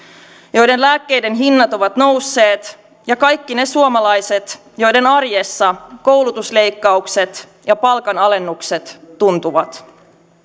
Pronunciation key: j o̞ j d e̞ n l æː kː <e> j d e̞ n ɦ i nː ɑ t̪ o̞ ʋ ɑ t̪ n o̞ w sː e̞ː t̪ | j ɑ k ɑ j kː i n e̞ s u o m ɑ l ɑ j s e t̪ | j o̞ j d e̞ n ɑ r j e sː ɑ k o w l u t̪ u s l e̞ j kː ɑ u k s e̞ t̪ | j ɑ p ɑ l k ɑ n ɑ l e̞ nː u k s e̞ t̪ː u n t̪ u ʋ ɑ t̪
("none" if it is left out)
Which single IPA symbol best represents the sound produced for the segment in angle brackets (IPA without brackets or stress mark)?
e